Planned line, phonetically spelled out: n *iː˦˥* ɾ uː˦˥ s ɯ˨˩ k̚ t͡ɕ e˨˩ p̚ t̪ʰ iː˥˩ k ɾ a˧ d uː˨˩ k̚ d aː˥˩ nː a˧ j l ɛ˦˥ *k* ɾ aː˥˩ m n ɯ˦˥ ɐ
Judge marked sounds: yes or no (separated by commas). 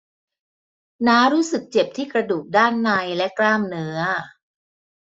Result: no, yes